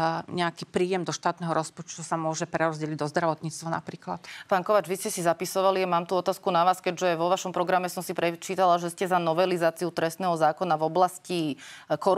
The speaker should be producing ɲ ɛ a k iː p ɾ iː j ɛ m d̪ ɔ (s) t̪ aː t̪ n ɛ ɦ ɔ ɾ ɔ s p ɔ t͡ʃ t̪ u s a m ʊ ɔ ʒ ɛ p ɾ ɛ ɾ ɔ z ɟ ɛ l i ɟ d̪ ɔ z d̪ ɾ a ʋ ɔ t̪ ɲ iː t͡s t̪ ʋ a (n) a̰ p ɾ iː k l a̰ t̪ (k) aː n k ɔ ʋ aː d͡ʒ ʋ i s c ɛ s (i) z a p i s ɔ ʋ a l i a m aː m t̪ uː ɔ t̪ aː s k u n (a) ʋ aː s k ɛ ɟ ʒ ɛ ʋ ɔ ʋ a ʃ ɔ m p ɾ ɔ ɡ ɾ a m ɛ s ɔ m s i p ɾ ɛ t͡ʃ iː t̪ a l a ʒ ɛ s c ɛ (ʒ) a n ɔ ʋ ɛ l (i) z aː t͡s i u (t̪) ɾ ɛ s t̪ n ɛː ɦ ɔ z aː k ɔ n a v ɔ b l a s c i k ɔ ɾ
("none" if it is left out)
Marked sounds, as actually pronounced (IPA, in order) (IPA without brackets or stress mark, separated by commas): ʃ, n, p, i, a, z, i, t̪